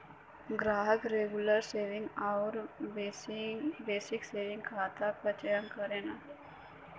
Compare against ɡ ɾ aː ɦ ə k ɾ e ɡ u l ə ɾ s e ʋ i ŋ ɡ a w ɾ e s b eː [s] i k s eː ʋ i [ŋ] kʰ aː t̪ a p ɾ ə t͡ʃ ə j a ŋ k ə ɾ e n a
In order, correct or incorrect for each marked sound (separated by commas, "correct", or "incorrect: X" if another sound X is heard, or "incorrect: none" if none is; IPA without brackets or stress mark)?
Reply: correct, correct